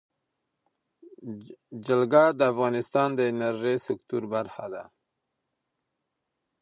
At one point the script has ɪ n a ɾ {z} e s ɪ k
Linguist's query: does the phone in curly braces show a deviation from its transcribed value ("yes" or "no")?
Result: yes